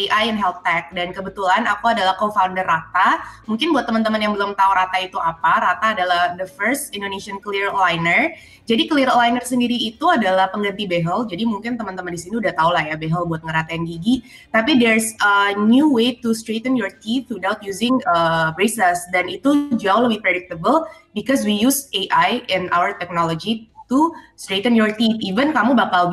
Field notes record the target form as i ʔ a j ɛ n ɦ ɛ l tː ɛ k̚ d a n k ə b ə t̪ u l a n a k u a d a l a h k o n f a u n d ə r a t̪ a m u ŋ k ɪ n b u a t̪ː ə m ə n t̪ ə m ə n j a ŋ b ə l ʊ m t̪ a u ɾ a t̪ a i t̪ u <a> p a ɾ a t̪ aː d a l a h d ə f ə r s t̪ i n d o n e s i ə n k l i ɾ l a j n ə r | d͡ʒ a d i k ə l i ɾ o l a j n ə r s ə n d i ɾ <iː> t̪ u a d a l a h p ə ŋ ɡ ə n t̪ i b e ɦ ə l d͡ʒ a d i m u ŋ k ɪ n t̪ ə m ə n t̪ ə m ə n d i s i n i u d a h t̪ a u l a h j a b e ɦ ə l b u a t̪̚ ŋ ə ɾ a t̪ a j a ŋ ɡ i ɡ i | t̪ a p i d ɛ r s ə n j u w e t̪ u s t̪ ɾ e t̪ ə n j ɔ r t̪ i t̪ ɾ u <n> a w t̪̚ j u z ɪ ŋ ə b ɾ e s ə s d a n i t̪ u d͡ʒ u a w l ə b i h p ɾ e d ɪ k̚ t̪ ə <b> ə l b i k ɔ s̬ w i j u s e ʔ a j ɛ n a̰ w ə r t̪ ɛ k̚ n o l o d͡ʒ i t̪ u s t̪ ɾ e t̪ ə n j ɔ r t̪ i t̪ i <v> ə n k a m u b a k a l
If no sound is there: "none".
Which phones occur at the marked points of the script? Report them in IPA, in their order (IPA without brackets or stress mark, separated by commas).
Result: a, iː, d, b, v